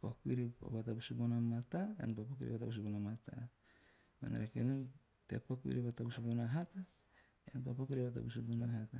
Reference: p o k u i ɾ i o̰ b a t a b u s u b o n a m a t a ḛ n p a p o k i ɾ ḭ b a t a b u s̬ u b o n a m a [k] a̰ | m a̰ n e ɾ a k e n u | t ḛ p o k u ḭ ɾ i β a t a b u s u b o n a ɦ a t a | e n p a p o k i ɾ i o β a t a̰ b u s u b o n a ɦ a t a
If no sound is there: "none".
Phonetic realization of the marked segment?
t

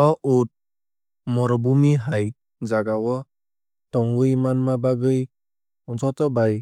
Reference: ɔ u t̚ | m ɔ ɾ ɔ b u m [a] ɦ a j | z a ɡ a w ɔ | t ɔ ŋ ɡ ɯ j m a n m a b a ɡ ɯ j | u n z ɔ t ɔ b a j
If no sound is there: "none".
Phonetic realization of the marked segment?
i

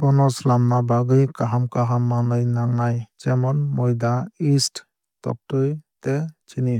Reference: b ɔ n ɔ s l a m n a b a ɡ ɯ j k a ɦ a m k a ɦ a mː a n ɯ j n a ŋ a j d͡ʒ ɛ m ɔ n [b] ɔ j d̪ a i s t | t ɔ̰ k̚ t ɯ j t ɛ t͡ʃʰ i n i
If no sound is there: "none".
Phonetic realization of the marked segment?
m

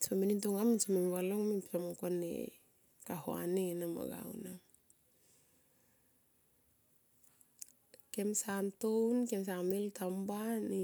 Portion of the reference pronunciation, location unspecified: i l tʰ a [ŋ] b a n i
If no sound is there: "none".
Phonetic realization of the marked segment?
m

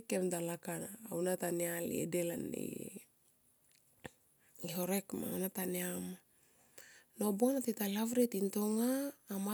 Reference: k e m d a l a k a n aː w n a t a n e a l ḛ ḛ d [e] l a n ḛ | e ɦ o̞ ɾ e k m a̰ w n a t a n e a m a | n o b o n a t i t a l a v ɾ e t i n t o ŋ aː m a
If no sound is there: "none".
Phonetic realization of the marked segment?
e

